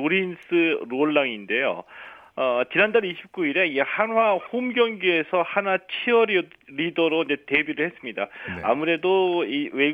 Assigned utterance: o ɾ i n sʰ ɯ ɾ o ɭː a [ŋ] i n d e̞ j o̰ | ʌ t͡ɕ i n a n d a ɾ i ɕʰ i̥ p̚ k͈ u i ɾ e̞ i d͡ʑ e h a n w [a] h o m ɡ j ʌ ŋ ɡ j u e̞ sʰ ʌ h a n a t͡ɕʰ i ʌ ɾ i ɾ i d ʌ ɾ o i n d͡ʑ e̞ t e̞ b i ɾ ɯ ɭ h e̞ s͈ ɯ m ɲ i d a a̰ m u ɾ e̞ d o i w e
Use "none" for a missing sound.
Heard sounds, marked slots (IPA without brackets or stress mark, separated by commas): ŋ, a